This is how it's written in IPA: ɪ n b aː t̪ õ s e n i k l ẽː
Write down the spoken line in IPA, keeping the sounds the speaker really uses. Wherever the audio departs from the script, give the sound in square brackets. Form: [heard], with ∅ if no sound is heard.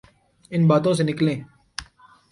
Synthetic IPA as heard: ɪ n b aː t̪ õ s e n [ɪ] k l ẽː

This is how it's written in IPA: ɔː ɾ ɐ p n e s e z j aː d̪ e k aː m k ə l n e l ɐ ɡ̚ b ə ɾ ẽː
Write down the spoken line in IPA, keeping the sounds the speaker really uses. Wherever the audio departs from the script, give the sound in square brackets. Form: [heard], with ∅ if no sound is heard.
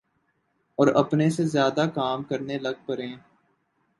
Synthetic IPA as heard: ɔː ɾ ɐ p n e s e z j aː d̪ [a] k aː m k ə [ɾ] n e l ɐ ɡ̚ [p] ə ɾ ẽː

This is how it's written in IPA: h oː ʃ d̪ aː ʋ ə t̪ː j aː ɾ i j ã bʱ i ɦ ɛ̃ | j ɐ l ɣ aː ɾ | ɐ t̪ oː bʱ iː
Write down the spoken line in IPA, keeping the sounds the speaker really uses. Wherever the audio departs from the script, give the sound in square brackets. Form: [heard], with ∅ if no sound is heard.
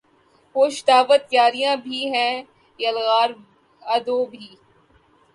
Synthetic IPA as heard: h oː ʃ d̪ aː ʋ ə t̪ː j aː ɾ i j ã bʱ i ɦ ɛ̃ | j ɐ l ɣ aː ɾ | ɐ [d̪] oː bʱ iː

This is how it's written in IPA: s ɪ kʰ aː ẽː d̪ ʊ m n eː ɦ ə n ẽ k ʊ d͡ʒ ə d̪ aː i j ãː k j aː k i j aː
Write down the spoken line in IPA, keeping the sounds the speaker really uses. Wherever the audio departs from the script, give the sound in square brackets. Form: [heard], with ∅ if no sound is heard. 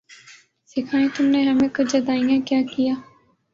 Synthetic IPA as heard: s ɪ kʰ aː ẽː [t̪] ʊ m n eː ɦ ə [m] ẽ k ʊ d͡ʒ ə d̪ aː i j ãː k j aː k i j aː

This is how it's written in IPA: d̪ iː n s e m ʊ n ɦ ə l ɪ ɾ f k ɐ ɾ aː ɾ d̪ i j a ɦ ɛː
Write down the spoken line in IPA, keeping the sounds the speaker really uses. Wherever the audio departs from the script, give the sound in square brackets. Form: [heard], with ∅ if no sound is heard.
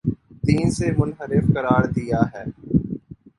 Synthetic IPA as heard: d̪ iː n s e m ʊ n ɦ ə [ɾ] ɪ [∅] f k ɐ ɾ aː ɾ d̪ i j a ɦ ɛː

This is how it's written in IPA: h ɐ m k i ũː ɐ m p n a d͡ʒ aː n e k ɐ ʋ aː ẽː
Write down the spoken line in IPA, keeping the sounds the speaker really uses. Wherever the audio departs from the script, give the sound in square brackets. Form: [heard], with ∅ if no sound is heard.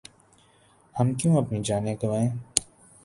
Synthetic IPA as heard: h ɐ m k [j] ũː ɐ [∅] p n [i] d͡ʒ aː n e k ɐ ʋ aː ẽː

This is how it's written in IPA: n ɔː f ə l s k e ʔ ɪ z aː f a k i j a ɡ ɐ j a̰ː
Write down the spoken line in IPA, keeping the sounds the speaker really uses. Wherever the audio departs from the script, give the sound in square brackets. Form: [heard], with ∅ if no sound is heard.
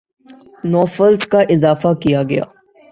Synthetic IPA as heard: n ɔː f ə l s k [a] ʔ ɪ z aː f a k i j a ɡ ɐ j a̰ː

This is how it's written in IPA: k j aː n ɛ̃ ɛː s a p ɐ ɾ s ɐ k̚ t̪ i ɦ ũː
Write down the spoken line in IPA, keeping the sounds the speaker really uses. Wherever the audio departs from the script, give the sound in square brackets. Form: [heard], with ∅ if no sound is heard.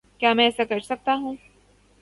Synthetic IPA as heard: k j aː [m] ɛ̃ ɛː s a [k] ɐ ɾ s ɐ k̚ t̪ [a] ɦ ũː

